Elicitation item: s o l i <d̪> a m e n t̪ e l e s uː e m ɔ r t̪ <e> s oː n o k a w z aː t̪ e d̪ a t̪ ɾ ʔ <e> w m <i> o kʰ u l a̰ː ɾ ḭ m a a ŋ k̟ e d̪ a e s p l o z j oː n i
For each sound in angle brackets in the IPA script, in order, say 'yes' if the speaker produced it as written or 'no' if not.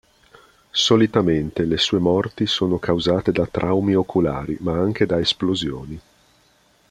no, no, no, yes

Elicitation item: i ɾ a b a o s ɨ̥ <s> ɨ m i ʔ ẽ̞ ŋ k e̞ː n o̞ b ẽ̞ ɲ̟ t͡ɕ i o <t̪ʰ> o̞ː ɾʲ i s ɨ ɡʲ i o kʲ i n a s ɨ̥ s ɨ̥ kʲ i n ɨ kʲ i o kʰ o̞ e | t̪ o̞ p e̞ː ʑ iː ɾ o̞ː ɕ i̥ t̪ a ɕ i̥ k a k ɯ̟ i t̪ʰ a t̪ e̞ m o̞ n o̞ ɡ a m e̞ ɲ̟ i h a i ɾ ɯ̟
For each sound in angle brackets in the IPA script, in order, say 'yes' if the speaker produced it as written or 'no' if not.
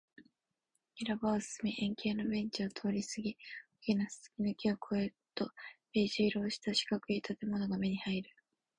yes, yes

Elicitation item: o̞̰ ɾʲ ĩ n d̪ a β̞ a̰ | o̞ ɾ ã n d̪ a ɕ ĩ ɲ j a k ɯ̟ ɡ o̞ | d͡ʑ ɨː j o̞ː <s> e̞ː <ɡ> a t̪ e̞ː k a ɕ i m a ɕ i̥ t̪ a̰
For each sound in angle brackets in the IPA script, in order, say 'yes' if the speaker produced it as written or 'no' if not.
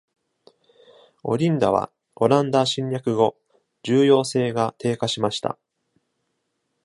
yes, yes

